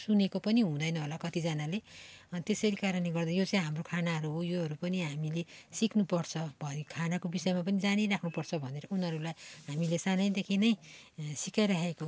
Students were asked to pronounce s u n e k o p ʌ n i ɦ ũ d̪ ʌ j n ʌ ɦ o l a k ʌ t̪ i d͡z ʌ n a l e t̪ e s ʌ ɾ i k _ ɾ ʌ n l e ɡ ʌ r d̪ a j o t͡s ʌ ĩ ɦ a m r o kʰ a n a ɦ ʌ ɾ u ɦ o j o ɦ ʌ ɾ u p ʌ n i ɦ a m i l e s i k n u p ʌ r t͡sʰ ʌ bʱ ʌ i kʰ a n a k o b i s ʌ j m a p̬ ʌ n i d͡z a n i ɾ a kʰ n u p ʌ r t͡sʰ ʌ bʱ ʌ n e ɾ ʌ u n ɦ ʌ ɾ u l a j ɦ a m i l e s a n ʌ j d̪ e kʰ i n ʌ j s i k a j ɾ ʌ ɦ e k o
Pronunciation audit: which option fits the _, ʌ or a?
a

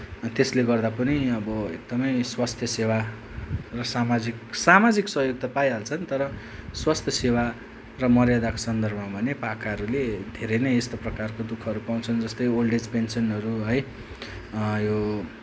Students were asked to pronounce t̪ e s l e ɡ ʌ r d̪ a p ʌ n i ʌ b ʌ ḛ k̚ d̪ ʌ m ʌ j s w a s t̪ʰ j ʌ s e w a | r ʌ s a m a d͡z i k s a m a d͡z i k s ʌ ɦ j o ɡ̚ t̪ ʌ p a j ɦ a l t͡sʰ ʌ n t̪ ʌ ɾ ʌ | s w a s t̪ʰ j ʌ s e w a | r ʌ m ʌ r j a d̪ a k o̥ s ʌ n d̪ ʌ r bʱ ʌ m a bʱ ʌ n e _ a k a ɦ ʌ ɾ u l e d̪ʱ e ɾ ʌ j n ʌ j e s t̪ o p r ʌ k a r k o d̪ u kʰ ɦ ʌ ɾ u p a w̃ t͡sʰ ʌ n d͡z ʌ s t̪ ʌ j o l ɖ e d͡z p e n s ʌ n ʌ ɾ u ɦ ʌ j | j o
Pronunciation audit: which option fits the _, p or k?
p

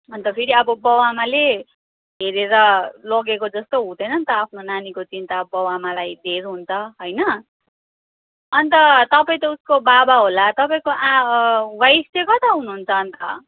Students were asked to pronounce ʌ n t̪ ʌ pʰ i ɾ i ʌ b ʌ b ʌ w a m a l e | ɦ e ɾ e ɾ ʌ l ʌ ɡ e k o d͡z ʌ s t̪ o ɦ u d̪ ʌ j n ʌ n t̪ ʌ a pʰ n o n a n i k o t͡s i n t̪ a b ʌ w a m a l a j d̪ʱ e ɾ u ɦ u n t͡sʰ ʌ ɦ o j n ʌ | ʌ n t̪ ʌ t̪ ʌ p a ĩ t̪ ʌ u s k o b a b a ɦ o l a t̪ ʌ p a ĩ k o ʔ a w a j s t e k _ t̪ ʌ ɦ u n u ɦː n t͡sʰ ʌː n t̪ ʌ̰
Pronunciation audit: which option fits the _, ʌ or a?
ʌ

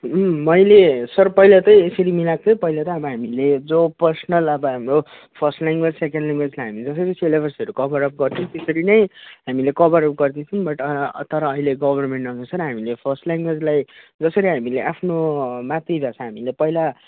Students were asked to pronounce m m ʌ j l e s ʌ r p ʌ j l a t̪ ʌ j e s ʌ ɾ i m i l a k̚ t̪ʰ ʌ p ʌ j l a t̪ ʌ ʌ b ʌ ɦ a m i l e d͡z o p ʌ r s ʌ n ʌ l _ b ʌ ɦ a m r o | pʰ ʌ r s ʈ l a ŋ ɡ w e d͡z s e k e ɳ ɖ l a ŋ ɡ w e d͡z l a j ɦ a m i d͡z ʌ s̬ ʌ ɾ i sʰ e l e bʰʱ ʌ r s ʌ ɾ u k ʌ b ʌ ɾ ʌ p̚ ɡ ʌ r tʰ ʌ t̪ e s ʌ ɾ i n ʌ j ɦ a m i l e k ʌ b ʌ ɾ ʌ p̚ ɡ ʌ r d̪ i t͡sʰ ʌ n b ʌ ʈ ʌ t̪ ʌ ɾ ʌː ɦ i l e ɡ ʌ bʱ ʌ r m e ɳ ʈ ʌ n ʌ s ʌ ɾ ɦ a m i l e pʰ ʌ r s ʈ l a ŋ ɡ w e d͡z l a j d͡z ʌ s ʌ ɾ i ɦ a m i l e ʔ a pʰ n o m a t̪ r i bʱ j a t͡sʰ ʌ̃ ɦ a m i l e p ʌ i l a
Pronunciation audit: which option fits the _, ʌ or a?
ʌ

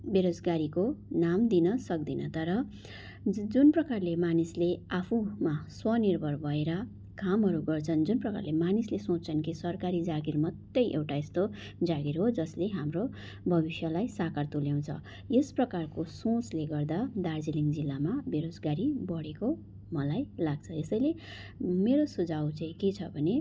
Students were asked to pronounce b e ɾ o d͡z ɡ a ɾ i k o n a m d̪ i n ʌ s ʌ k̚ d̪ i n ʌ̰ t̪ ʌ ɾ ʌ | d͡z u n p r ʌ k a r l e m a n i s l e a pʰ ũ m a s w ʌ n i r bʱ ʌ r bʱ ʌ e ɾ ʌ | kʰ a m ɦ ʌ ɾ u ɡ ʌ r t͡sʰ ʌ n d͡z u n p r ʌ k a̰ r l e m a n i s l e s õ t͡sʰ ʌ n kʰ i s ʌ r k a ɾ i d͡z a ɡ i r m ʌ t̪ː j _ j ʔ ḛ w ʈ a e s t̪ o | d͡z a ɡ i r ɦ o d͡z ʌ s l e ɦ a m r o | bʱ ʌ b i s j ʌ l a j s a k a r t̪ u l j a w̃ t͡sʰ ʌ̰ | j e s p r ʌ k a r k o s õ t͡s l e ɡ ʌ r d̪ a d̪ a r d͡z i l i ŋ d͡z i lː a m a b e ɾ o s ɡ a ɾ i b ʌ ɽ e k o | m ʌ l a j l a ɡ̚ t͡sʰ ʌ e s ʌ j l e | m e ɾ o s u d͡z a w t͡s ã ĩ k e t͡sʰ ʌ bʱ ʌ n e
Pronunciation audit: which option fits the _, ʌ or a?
ʌ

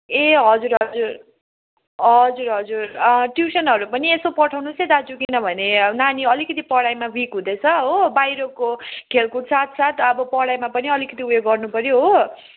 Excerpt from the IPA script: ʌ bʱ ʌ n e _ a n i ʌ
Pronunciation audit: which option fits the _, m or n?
n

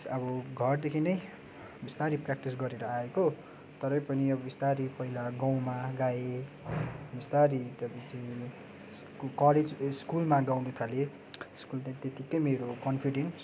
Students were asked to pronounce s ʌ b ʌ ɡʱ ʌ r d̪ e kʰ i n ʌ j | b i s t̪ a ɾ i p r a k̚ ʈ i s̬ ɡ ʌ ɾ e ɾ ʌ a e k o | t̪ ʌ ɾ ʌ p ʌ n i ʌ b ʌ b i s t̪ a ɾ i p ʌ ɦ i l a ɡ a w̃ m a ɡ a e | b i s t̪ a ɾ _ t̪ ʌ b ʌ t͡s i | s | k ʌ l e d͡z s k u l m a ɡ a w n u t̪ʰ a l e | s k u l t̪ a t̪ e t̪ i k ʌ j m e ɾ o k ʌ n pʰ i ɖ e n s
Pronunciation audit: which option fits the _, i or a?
i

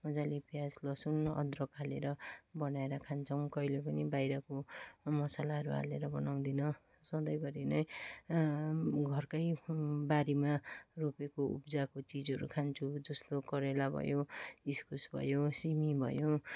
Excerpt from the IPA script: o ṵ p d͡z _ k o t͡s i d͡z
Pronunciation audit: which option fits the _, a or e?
a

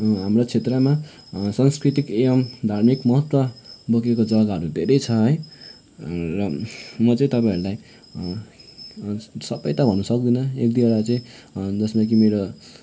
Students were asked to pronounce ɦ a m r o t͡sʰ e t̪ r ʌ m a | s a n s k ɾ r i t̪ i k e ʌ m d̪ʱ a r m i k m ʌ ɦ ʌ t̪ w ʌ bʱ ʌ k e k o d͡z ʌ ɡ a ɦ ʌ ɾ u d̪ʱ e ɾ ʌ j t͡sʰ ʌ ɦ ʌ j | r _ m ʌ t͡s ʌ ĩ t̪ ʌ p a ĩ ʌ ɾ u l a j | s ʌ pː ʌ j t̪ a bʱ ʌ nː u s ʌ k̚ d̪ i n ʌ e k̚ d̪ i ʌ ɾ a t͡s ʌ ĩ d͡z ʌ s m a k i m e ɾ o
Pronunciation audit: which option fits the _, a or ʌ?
ʌ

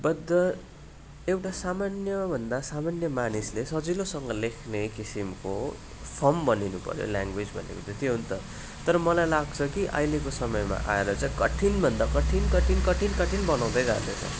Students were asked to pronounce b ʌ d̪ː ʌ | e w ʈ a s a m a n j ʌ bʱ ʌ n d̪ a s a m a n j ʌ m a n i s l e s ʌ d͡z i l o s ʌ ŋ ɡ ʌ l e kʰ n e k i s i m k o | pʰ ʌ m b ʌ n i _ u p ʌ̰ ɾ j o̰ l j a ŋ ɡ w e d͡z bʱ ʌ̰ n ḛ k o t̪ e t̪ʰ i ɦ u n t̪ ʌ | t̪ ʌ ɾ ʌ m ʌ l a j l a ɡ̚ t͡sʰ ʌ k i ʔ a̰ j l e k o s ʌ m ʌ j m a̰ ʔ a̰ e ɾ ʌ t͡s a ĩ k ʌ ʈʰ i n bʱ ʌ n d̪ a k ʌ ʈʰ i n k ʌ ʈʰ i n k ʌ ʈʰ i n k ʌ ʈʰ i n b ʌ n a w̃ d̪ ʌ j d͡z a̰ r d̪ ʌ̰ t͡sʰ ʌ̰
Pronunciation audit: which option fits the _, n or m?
n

